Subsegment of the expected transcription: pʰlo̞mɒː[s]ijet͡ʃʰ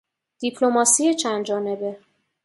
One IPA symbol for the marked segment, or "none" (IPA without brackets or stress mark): s